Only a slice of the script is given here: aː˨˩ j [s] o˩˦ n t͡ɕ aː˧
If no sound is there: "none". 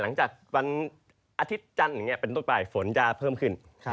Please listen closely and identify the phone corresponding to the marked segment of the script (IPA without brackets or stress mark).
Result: f